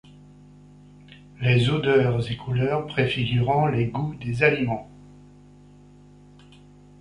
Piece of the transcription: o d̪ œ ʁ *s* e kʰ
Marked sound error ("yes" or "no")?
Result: yes